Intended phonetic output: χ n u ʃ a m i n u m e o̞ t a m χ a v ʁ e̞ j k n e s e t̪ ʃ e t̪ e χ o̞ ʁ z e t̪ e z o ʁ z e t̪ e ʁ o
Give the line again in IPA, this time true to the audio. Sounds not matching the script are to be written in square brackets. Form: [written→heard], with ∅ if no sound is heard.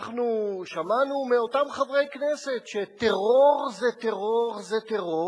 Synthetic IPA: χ n u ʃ a m [i→a] n u m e o̞ t a m χ a v ʁ e̞ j k n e s e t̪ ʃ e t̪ e [χ→ʁ] o̞ ʁ z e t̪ e [z→ʁ] o ʁ z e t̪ e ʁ o